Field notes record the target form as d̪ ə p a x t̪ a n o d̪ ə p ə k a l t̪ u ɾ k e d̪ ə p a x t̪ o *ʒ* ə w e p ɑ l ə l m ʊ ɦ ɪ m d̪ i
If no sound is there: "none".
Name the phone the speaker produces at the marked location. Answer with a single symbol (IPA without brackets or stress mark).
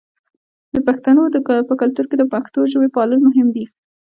ʒ